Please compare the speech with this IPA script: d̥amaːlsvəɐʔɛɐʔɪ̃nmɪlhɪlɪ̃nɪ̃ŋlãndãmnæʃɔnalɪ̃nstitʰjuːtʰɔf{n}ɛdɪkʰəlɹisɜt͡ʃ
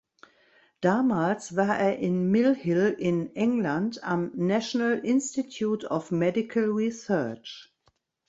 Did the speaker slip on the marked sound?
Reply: yes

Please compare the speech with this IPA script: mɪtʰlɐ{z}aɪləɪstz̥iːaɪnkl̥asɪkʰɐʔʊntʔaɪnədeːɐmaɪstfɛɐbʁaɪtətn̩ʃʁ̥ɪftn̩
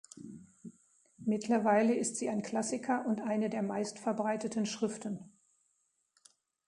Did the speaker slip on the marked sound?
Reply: yes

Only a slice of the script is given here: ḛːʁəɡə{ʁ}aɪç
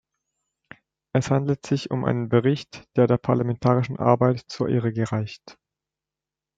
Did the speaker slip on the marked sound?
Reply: no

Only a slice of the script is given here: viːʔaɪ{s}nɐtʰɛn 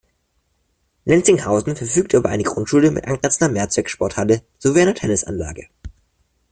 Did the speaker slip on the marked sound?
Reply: yes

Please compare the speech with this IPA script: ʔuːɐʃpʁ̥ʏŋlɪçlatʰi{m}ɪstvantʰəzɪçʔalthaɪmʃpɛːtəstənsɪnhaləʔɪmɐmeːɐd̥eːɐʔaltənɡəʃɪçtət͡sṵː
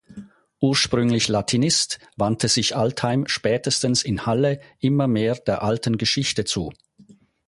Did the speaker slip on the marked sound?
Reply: yes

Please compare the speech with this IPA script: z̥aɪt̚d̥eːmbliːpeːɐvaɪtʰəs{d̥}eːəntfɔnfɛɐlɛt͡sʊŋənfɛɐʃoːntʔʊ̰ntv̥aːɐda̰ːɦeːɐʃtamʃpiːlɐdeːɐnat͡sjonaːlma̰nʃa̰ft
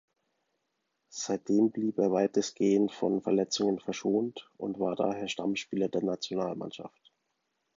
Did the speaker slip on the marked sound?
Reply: yes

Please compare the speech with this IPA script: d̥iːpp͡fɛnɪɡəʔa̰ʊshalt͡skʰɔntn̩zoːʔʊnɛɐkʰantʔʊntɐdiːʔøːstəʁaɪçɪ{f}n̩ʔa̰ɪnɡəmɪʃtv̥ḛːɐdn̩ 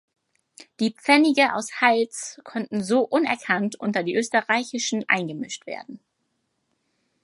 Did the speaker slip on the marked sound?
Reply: yes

